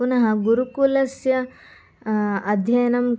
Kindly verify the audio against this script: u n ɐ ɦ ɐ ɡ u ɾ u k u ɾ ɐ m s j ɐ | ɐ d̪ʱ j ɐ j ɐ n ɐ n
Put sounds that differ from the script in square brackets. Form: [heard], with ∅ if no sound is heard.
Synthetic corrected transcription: u n ɐ ɦ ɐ ɡ u ɾ u k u [l] ɐ [∅] s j ɐ | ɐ d̪ʱ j ɐ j ɐ n ɐ [m]